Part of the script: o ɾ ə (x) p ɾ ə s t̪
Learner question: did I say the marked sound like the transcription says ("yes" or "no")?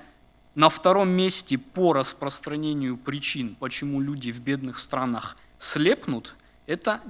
no